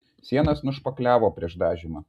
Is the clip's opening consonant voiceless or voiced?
voiceless